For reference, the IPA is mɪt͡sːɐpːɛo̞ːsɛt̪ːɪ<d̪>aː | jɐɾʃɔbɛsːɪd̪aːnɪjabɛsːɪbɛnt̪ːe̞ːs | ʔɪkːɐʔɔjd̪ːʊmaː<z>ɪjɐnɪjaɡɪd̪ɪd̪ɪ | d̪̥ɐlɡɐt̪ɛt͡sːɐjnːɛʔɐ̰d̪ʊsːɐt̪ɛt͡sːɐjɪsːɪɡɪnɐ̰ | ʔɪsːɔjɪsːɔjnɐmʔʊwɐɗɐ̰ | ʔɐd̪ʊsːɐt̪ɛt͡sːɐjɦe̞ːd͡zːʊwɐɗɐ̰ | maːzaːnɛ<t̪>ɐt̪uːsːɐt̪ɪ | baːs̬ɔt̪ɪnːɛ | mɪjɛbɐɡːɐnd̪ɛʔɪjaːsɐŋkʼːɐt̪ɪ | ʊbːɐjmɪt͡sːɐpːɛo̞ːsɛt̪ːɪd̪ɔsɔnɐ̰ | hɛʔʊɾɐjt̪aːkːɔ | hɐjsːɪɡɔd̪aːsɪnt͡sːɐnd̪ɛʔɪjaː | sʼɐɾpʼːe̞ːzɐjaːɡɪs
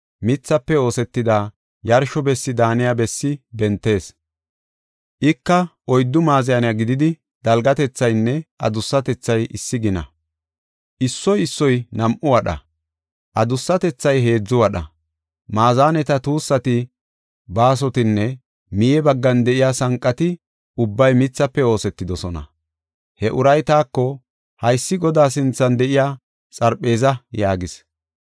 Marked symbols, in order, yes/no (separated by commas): yes, yes, yes